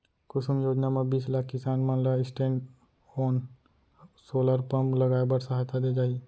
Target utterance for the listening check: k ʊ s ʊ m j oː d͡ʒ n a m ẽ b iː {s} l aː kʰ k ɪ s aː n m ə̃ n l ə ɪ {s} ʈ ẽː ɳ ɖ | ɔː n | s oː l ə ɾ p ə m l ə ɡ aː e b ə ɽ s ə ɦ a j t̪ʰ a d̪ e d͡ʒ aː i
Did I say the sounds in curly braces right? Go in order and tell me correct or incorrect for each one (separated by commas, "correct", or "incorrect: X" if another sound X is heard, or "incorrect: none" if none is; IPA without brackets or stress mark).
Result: correct, correct